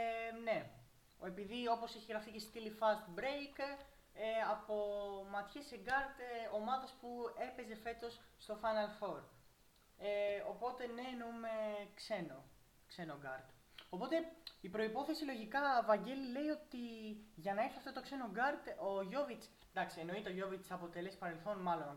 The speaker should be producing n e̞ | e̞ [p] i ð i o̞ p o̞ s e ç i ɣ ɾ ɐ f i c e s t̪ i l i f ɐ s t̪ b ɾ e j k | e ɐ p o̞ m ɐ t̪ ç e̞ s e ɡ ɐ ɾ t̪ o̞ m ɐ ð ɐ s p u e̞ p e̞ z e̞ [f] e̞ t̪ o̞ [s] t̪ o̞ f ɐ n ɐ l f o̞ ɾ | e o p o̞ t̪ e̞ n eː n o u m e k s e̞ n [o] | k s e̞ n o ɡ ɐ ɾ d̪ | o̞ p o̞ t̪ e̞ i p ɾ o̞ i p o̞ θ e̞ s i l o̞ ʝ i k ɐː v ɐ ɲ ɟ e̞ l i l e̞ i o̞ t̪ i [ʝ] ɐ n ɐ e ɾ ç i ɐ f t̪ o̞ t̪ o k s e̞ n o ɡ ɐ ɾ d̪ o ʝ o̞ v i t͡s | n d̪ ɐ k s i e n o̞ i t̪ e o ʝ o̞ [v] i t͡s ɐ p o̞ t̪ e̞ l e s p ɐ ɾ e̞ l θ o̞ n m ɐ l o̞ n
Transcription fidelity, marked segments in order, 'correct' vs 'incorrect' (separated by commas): correct, correct, incorrect, correct, correct, correct